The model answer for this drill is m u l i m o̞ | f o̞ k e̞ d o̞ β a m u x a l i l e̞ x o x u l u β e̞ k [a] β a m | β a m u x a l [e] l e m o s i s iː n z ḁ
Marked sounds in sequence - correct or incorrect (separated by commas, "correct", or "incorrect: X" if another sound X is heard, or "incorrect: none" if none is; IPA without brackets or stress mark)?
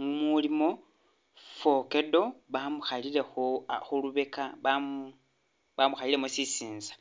correct, incorrect: i